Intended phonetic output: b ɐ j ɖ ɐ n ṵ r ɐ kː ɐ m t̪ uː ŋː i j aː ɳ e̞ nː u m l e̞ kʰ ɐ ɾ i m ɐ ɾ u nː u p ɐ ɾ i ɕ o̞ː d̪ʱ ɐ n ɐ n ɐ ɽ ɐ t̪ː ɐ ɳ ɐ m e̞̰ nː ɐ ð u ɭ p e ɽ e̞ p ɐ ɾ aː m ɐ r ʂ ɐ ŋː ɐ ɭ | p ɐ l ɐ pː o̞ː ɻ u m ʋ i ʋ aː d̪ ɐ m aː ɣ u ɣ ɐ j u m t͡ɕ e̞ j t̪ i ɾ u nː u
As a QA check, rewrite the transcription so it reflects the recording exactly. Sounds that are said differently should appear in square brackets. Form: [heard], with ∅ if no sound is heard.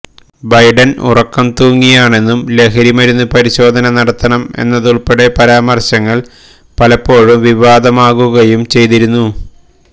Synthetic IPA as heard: b ɐ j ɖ ɐ n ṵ r ɐ kː ɐ m t̪ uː ŋː i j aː ɳ e̞ nː u m l e̞ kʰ ɐ ɾ i m ɐ ɾ u nː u p ɐ ɾ i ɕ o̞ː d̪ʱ ɐ n ɐ n ɐ ɽ ɐ t̪ː ɐ ɳ ɐ m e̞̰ nː ɐ ð u ɭ p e ɽ e̞ p ɐ ɾ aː m ɐ r [ɕ] ɐ ŋː ɐ ɭ | p ɐ l ɐ pː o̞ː ɻ u m ʋ i ʋ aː d̪ ɐ m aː ɣ u ɣ ɐ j u m t͡ɕ e̞ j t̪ i ɾ u nː u